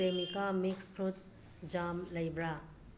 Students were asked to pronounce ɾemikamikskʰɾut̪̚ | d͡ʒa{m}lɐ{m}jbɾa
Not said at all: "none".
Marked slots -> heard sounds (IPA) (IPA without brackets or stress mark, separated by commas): m, none